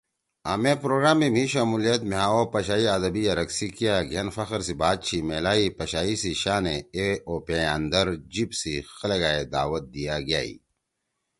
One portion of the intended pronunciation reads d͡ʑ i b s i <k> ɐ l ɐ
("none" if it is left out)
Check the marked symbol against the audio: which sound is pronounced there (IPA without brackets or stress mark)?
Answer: x